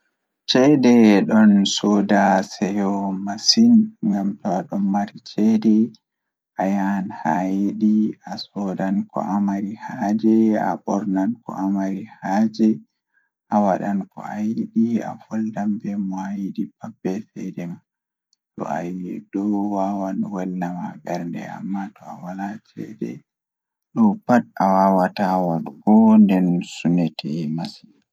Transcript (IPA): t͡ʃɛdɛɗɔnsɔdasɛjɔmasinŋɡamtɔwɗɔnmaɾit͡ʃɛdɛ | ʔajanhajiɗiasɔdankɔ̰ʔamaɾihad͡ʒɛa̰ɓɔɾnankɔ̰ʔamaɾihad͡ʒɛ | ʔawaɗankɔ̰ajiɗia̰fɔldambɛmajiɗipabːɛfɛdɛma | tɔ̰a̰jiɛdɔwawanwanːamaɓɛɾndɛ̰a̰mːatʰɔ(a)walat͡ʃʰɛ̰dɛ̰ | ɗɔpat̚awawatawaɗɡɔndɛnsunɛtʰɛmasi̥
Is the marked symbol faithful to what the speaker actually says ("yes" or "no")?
yes